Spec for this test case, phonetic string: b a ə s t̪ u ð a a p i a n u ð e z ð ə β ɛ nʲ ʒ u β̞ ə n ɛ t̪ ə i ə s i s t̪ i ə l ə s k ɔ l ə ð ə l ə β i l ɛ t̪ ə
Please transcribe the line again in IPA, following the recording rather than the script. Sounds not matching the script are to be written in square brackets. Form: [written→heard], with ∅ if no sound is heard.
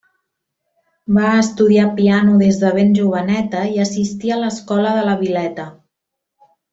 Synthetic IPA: b a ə s t̪ u ð [a→i] a p i a n u ð e z ð ə β [ɛ→e] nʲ ʒ u β̞ ə n ɛ t̪ ə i ə s i s t̪ i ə l ə s k ɔ l ə ð ə l ə β i l ɛ t̪ ə